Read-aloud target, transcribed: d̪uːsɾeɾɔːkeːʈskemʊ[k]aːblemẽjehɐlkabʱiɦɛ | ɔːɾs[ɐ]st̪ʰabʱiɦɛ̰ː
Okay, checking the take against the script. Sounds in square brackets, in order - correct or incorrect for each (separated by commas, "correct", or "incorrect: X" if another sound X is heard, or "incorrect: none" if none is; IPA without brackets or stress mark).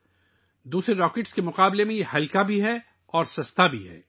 incorrect: q, correct